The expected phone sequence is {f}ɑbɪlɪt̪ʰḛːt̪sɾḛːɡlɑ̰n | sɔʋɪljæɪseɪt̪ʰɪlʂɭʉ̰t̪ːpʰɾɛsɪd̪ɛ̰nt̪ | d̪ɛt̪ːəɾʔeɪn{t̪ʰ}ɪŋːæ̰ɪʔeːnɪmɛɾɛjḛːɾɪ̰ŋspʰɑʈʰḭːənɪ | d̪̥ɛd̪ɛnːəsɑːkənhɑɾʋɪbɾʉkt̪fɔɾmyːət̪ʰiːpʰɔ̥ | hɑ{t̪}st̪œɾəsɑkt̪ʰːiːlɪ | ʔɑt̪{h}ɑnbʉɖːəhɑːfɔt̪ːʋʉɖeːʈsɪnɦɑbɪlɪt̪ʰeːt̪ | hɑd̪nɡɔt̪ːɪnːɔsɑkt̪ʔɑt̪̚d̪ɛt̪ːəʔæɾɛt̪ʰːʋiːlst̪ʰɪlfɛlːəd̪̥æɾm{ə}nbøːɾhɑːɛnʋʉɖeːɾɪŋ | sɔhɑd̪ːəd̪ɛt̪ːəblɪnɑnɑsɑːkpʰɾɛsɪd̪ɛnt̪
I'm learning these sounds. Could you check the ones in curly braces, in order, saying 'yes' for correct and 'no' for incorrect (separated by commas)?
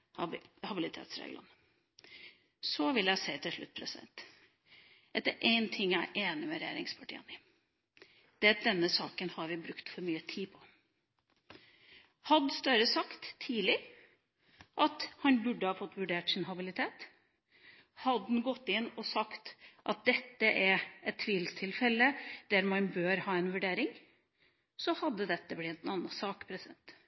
no, yes, no, yes, no